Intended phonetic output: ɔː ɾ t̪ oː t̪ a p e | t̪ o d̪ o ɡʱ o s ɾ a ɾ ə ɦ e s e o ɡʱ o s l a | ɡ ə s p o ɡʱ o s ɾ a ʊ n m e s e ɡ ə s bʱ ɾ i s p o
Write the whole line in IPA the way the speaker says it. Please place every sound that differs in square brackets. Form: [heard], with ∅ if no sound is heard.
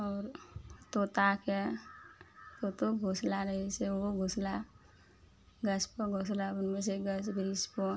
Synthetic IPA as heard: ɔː ɾ t̪ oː t̪ a [k] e | t̪ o [t̪] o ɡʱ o s [l] a ɾ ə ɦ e s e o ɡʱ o s l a | ɡ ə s p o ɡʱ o s [l] a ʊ n m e s e ɡ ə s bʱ ɾ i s p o

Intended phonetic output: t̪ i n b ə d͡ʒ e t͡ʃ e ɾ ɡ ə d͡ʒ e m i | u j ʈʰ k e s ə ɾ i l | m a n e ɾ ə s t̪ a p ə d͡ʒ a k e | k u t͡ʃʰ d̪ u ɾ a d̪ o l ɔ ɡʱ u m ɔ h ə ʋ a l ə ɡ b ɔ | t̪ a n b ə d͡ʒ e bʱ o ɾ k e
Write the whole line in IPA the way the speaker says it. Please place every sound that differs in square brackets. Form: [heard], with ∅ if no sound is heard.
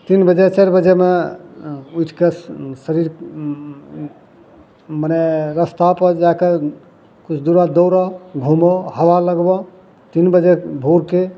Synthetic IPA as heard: t̪ i n b ə d͡ʒ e t͡ʃ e ɾ [b] ə d͡ʒ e m [e] | u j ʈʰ k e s ə ɾ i [ɾ] | m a n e ɾ ə s t̪ a p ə d͡ʒ a k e | k u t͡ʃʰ d̪ u ɾ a d̪ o [ɾ] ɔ ɡʱ u m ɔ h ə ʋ a l ə ɡ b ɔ | t̪ [i] n b ə d͡ʒ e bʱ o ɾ k e

